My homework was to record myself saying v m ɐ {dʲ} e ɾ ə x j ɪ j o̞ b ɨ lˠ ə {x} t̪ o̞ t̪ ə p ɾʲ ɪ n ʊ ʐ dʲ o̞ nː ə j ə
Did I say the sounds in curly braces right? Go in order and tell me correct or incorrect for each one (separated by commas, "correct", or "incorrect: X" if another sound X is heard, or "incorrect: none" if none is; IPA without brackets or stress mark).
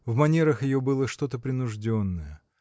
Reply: incorrect: nʲ, incorrect: ʂ